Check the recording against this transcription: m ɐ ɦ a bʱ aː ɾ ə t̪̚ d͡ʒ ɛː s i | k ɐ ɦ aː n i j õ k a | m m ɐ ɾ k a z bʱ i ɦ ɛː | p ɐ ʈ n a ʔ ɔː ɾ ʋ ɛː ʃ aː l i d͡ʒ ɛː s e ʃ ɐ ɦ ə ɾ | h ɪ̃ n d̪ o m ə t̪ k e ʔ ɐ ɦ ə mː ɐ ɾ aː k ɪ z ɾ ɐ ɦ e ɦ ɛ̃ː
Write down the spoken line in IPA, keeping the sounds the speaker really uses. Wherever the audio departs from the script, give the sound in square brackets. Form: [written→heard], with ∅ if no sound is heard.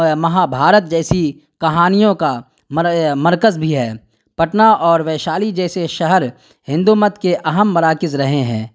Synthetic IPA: m ɐ ɦ a bʱ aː ɾ ə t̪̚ d͡ʒ ɛː s i | k ɐ ɦ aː n i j õ k a | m m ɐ ɾ k [a→ə] z bʱ i ɦ ɛː | p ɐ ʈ n a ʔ ɔː ɾ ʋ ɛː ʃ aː l i d͡ʒ ɛː s e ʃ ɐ ɦ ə ɾ | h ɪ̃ n d̪ [o→u] m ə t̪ k e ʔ ɐ ɦ ə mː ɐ ɾ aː k ɪ z ɾ ɐ ɦ e ɦ ɛ̃ː